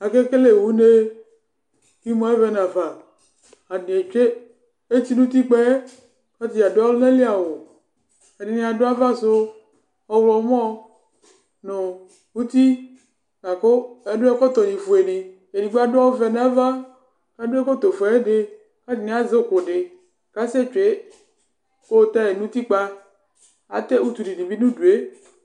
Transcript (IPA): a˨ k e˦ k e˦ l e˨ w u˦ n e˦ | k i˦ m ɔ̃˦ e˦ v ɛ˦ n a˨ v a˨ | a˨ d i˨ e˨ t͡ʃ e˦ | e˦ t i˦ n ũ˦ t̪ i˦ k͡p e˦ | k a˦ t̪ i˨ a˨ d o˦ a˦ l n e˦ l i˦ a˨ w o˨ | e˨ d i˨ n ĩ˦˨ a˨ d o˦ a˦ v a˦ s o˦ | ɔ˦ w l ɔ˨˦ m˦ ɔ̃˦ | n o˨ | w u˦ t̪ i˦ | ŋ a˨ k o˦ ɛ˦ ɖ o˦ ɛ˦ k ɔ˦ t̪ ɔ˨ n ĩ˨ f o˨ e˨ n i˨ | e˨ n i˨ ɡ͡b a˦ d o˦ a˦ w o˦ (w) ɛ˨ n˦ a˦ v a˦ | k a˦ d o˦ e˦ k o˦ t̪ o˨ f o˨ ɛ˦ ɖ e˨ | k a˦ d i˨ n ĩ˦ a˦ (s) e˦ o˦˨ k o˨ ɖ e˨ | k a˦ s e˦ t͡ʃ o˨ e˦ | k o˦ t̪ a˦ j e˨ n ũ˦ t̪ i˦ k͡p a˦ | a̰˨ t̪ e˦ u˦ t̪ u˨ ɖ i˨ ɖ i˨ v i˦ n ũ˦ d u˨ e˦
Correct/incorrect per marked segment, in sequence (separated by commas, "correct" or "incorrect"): incorrect, incorrect